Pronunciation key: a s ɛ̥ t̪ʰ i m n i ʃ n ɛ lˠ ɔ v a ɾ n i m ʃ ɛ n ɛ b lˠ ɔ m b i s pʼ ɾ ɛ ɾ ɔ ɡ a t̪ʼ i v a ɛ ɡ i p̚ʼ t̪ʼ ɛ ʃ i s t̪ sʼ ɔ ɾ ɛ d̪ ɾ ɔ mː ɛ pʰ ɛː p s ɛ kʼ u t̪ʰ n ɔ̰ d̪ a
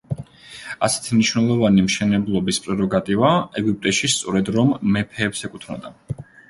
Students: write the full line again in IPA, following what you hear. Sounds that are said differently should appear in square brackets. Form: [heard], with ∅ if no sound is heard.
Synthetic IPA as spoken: a s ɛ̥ t̪ʰ i m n i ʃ n ɛ lˠ ɔ v a [∅] n i m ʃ ɛ n ɛ b lˠ ɔ [∅] b i s pʼ ɾ ɛ ɾ ɔ ɡ a t̪ʼ i v a ɛ ɡ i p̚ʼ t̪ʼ ɛ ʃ i s t̪ sʼ ɔ ɾ ɛ d̪ ɾ ɔ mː ɛ pʰ ɛː p s ɛ kʼ u t̪ʰ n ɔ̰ d̪ a

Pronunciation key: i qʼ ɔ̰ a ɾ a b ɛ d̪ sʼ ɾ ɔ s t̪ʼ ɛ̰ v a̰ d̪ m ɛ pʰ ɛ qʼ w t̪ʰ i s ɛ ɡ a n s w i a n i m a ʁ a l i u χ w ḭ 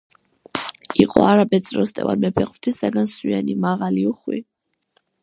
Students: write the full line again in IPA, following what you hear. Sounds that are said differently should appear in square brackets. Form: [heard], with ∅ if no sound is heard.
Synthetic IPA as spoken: i qʼ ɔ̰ a ɾ a b ɛ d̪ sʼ ɾ ɔ s t̪ʼ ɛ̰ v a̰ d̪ m ɛ pʰ ɛ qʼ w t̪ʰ i s [a] ɡ a n s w i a n i m a ʁ a l i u χ w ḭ

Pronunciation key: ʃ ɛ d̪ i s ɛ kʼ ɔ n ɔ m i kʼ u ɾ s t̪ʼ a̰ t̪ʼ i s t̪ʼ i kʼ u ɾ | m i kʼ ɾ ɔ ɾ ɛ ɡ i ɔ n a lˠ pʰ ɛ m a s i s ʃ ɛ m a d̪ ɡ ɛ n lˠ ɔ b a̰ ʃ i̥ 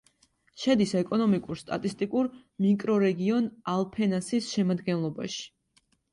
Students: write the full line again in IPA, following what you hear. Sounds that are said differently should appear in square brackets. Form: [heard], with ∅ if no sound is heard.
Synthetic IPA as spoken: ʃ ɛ d̪ i s ɛ kʼ ɔ n ɔ m i kʼ u ɾ s t̪ʼ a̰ t̪ʼ i s t̪ʼ i kʼ u ɾ | m i kʼ ɾ ɔ ɾ ɛ ɡ i ɔ n a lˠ pʰ ɛ [n] a s i s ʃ ɛ m a d̪ ɡ ɛ n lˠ ɔ b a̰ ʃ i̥

